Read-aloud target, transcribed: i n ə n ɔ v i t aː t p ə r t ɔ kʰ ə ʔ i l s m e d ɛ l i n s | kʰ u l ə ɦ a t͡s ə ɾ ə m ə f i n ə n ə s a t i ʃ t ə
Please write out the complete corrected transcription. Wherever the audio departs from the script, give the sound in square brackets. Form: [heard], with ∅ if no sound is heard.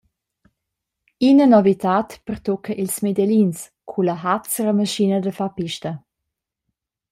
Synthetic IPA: i n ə n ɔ v i t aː t p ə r t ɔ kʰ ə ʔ i l s m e d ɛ l i n s | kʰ u l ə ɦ a t͡s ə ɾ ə m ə [ʃ] i n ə [d] ə [f] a [p] i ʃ t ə